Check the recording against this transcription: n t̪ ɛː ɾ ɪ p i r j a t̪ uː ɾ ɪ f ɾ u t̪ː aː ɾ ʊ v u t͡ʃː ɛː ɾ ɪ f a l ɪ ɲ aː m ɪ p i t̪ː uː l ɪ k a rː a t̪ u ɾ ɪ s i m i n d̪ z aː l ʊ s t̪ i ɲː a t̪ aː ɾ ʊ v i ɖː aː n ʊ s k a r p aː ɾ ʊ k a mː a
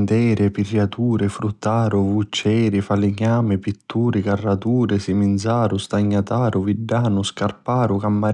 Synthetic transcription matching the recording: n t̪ ɛː ɾ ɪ p i r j a t̪ uː ɾ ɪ f ɾ u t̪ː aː ɾ ʊ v u t͡ʃː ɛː ɾ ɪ f a l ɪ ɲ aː m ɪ p i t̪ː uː ɾ ɪ k a rː a t̪ uː ɾ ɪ s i m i n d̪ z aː ɾ ʊ s t̪ a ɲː a t̪ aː ɾ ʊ v i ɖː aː n ʊ s k a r p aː ɾ ʊ k a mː a